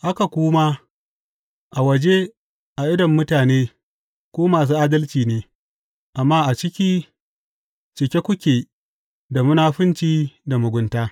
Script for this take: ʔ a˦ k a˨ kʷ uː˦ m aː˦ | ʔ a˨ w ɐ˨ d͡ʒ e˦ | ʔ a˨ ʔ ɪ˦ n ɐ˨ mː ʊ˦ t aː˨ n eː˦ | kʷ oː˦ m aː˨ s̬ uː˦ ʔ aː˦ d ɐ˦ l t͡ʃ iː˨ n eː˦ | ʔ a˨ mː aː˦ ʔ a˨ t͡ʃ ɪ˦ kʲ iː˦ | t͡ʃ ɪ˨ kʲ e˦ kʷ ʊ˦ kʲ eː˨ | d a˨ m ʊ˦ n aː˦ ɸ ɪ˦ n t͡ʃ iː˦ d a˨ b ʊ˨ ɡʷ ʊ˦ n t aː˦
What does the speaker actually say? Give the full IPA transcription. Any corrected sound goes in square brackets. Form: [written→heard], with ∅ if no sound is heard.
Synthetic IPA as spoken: ʔ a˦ k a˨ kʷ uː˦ m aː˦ | ʔ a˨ w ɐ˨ d͡ʒ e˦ | ʔ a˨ ʔ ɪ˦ [n→d] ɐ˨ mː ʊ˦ t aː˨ n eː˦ | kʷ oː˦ m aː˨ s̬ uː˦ ʔ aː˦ d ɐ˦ l t͡ʃ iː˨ n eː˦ | ʔ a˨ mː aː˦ ʔ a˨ t͡ʃ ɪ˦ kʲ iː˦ | t͡ʃ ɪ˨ kʲ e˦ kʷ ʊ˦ kʲ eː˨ | d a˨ m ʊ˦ n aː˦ ɸ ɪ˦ n t͡ʃ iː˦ d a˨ [b→m] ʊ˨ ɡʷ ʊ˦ n t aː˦